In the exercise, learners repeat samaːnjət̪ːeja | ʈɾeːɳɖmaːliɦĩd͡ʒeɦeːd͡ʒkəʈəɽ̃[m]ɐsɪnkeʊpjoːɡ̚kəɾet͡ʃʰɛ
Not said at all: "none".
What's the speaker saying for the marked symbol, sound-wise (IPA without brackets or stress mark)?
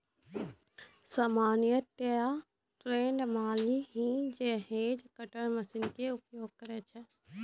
m